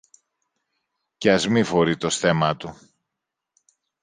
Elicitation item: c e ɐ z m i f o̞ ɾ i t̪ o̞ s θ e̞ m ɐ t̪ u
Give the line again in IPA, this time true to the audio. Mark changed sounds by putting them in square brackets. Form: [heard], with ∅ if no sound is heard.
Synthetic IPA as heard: c e ɐ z m i f o̞ ɾ i t̪ o̞ s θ e̞ m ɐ t̪ u